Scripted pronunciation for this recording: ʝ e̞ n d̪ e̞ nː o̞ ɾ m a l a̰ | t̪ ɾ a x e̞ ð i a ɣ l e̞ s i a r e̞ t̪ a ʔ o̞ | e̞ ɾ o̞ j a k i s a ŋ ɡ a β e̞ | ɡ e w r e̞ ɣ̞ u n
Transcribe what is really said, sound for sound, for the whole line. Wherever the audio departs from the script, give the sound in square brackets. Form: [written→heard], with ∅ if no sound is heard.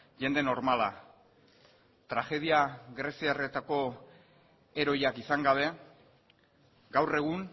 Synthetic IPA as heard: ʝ e̞ n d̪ e̞ [nː→n] o̞ ɾ m a l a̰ | t̪ ɾ a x e̞ ð i a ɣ [l→ɾ] e̞ s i a r e̞ t̪ a [ʔ→k] o̞ | e̞ ɾ o̞ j a k i s a ŋ ɡ a β e̞ | ɡ [e→a] w r e̞ ɣ̞ u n